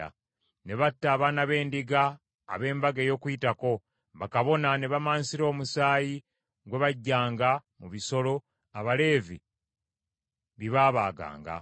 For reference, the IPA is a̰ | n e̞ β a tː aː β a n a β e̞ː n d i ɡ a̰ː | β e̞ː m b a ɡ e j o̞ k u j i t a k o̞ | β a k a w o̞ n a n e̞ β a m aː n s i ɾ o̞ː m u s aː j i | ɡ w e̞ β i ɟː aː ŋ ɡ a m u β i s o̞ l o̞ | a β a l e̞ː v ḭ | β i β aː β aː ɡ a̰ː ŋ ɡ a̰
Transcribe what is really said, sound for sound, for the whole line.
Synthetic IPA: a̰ | n e̞ β a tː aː β a n a β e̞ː n d i ɡ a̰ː | β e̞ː m b a ɡ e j o̞ k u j i t a k o̞ | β a k a β o̞ n a n e̞ β a m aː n s i ɾ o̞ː m u s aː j i | ɡ w e̞ β a ɟː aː ŋ ɡ a m u β i s o̞ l o̞ | a β a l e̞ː v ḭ | β i β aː β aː ɡ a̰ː ŋ ɡ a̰

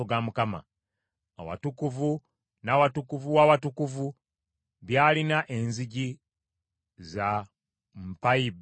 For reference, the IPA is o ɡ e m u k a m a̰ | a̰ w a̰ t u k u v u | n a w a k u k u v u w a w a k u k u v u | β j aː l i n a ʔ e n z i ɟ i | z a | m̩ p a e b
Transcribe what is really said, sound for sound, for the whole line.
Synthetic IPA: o ɡ a m u k a m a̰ | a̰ w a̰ t u k u v u | n a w a t u k u v u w a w a t u k u v u | β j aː l i n a ʔ e n z i ɟ i | z a | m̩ p a i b

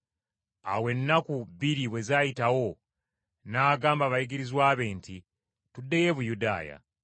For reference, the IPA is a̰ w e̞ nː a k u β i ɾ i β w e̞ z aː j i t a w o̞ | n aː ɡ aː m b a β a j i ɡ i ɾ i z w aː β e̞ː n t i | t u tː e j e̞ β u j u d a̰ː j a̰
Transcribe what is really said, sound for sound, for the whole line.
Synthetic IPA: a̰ w e̞ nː a k u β i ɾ i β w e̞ z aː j i t a w o̞ | n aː ɡ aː m b a β a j i ɡ i ɾ i z w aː β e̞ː n t i | t u dː e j e̞ β u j u d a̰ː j a̰

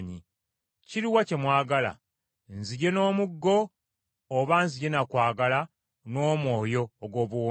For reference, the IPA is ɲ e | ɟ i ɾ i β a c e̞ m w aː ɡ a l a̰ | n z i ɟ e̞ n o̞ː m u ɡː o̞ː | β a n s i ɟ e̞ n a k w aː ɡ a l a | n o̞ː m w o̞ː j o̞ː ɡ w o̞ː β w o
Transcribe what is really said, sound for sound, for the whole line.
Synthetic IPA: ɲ i | c i ɾ i w a c e̞ m w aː ɡ a l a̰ | n z i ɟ e̞ n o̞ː m u ɡː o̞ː | β a n z i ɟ e̞ n a k w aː ɡ a l a | n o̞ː m w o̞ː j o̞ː ɡ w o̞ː β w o

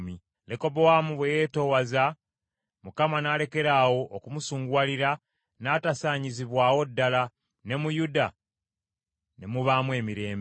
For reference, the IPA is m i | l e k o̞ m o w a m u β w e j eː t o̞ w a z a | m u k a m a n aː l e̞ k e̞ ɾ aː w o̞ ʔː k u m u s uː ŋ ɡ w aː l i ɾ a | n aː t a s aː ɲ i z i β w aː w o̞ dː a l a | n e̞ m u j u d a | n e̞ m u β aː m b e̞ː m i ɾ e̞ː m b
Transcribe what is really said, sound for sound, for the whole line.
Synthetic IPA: m i | l e k o̞ b o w a m u β w e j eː t o̞ w a z a | m u k a m a n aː l e̞ k e̞ ɾ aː w o̞ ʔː k u m u s uː ŋ ɡ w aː l i ɾ a | n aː t a s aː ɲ i z i β w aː w o̞ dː a l a | n e̞ m u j u d a | n e̞ m u β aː m w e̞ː m i ɾ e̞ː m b

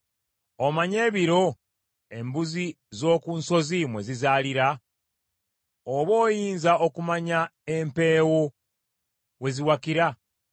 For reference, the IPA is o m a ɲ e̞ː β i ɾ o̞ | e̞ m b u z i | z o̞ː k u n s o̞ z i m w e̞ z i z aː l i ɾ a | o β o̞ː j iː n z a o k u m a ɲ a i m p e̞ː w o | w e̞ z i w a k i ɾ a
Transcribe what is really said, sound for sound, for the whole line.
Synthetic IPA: o m a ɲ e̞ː β i ɾ o̞ | e̞ m b u z i | z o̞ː k u n s o̞ z i m w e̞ z i z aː l i ɾ a | o β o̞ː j iː n z a o k u m a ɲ a e m p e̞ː w o | w e̞ z i w a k i ɾ a

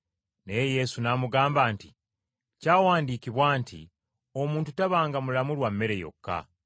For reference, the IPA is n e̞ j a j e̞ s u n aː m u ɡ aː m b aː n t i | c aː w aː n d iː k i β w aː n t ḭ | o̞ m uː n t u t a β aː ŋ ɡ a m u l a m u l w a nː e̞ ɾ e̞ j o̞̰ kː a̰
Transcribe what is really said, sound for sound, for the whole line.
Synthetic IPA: n e̞ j e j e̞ s u n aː m u ɡ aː m b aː n t i | c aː w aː n d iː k i β w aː n t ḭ | o̞ m uː n t u t a β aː ŋ ɡ a m u l a m u l w a mː e̞ ɾ e̞ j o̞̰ kː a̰

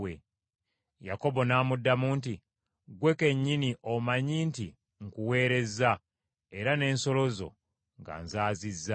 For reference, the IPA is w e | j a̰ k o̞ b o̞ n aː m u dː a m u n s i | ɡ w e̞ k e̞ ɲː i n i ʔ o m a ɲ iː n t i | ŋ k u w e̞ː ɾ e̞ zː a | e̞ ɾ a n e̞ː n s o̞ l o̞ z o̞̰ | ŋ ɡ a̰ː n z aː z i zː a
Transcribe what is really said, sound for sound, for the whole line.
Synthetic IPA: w e | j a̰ k o̞ b o̞ n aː m u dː a m u n t i | ɡ w e̞ k e̞ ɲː i n i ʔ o m a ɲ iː n t i | ŋ k u w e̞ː ɾ e̞ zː a | e̞ ɾ a n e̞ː n s o̞ l o̞ z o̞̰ | ŋ ɡ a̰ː n z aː z i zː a

